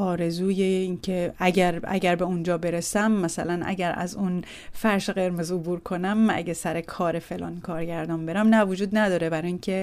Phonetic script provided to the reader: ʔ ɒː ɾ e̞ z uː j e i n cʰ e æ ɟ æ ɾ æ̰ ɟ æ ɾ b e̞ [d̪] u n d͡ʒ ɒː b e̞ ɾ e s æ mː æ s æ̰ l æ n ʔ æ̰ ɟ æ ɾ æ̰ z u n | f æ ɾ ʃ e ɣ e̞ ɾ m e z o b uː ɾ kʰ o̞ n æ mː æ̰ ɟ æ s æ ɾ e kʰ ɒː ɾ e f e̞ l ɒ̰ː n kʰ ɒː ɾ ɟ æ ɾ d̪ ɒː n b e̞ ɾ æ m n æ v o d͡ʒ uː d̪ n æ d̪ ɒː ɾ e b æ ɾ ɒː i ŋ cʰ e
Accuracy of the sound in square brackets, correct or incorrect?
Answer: incorrect